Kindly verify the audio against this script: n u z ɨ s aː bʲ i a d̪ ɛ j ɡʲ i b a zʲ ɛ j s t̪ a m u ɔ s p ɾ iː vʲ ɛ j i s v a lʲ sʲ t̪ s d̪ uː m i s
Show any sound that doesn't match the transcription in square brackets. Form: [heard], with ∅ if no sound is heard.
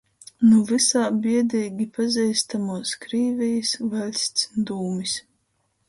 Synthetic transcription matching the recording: n u [v] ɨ s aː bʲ i [ɛ] d̪ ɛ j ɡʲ i [p] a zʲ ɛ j s t̪ a m u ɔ s [k] ɾ iː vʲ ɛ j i s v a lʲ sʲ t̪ s d̪ uː m i s